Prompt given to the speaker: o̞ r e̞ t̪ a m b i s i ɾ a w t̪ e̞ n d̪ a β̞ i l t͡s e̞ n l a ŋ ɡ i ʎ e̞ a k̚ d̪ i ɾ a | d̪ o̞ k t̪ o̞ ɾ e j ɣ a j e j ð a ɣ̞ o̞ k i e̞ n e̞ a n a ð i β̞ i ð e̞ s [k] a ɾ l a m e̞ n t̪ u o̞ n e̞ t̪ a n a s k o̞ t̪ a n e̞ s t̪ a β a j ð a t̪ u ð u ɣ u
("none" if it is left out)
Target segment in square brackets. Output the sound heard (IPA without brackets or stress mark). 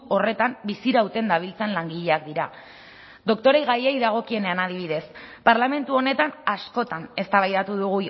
p